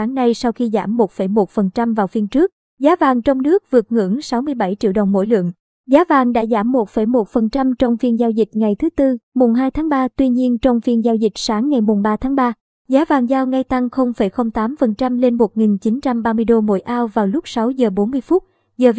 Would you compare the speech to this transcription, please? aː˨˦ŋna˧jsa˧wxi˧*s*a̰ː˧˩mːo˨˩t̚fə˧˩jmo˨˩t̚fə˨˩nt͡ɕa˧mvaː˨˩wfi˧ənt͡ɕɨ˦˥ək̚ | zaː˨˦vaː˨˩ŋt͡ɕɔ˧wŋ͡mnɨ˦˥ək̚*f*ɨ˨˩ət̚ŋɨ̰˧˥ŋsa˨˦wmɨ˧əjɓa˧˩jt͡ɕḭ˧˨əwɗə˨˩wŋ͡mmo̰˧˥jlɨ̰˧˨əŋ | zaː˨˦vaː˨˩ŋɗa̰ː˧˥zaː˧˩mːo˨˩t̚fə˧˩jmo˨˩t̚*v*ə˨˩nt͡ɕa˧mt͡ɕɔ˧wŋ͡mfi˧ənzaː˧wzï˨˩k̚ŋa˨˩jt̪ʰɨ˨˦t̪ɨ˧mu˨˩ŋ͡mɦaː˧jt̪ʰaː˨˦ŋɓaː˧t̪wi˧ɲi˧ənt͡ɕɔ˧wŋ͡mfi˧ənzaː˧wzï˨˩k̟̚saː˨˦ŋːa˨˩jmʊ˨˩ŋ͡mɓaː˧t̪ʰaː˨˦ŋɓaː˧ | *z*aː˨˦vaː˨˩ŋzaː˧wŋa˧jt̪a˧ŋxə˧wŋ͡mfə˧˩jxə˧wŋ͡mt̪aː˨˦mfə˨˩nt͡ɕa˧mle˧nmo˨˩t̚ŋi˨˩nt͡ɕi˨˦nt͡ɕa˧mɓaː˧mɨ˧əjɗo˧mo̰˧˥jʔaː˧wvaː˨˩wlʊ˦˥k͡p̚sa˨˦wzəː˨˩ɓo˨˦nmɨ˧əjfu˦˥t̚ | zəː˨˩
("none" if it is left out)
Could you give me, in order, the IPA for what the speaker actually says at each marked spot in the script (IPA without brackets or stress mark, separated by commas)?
z, v, f, z